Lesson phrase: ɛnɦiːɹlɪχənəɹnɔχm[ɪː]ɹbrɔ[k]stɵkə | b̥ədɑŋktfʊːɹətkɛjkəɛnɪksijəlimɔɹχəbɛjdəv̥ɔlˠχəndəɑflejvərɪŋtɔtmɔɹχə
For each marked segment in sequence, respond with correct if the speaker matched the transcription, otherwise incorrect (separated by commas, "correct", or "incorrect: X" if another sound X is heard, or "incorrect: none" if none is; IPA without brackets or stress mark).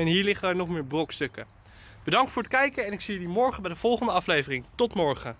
correct, correct